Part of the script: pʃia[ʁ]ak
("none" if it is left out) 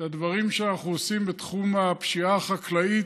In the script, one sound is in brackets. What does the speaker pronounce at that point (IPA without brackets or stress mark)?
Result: χ